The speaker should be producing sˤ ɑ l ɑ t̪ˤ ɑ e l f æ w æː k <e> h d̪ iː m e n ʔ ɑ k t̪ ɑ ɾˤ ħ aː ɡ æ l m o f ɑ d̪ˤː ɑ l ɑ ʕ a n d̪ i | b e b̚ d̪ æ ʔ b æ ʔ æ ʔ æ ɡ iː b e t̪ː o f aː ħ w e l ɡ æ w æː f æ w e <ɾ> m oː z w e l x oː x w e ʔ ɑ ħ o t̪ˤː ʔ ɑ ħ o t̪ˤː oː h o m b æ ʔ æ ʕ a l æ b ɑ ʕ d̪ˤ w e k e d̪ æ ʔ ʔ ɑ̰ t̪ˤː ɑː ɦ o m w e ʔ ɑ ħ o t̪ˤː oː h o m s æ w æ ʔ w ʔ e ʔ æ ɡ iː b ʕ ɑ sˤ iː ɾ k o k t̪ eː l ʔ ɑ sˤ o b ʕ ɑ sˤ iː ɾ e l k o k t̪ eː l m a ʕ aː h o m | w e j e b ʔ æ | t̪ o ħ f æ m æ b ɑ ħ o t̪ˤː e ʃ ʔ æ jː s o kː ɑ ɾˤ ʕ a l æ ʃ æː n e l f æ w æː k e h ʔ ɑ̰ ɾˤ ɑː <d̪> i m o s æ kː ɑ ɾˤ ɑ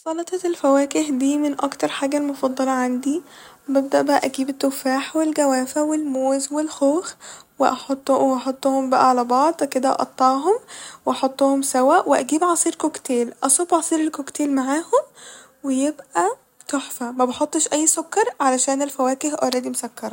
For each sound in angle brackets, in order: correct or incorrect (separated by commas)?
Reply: correct, incorrect, correct